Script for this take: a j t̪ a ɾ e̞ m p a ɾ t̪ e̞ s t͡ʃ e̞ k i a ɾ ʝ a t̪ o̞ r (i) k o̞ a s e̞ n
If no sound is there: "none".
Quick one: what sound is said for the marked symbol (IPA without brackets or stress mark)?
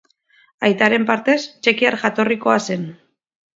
i